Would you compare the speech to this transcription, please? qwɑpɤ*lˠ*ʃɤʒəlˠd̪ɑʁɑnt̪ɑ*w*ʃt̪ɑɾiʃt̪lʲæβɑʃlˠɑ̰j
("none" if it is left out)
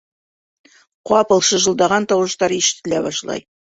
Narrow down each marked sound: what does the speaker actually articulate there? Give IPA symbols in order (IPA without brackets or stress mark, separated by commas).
lˠ, w